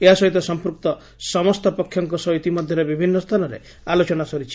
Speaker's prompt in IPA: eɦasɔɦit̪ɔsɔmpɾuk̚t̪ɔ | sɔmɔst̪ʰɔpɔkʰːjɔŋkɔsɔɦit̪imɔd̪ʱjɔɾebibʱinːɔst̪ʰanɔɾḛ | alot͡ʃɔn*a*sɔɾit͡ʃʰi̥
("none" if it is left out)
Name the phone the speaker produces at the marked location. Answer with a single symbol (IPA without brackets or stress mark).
a